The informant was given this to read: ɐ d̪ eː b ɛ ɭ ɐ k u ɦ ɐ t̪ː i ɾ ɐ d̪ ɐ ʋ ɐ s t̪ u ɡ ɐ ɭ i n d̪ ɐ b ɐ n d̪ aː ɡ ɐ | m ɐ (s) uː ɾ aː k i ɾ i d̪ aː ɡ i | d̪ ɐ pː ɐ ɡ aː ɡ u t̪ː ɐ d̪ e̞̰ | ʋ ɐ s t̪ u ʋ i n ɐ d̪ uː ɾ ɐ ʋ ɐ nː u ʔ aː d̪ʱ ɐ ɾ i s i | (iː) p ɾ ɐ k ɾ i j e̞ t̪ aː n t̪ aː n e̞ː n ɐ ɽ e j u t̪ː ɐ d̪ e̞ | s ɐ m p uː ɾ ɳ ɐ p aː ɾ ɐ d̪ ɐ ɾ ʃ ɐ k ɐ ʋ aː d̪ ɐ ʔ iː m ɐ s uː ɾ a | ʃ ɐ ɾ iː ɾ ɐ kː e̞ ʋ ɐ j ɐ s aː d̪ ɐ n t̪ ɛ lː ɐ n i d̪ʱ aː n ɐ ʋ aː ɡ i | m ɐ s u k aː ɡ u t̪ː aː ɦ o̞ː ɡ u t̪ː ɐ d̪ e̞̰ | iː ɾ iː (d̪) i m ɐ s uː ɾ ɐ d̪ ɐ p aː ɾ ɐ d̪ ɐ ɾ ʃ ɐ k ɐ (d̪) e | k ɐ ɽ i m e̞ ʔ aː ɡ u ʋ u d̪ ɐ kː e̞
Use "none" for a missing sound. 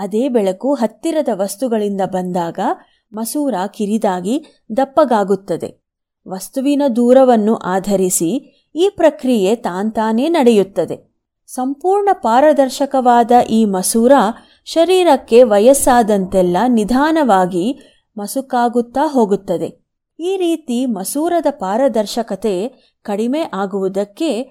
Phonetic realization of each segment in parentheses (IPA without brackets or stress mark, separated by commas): s, iː, t̪, t̪